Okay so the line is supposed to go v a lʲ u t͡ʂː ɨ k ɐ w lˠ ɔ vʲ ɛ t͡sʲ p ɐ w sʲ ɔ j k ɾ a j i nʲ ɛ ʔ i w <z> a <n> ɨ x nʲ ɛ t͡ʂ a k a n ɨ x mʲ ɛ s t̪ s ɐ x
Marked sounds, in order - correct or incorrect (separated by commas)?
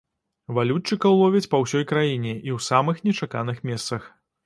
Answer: incorrect, incorrect